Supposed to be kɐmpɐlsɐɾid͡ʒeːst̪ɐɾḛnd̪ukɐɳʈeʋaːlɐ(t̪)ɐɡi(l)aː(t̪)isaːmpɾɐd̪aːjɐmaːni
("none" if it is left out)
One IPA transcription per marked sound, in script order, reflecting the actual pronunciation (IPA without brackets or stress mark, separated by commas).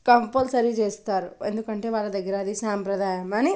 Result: d̪, ɾ, d̪